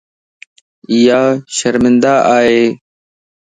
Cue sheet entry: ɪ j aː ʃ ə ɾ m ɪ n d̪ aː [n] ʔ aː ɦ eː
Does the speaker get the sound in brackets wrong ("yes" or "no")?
yes